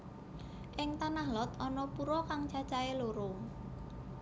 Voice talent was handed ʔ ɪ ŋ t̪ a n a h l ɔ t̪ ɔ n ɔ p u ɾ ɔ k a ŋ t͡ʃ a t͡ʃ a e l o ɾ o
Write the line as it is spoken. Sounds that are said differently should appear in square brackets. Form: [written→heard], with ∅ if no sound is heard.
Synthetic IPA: ʔ ɪ ŋ t̪ a n a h l ɔ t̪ ɔ n ɔ p u ɾ ɔ k a ŋ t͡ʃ a t͡ʃ a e l o ɾ o